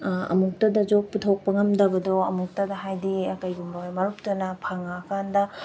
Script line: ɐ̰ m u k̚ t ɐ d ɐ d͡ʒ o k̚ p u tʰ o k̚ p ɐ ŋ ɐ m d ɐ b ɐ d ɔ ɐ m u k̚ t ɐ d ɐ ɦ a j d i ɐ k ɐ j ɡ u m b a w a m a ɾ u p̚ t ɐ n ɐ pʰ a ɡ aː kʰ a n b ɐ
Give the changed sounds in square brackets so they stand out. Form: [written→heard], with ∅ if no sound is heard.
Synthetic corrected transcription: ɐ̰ m u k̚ t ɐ d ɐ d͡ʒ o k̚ p u tʰ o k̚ p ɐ ŋ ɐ m d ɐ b ɐ d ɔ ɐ m u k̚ t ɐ d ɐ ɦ a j d i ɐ k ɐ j ɡ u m b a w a m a ɾ u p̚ t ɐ n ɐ pʰ a [ɡ→ŋ] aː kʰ a n [b→d] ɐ